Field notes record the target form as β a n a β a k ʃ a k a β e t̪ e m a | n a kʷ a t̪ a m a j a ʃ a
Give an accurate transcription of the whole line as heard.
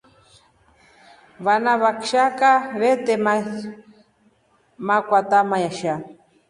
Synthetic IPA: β a n a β a k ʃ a k a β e t̪ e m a | m a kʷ a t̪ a m a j a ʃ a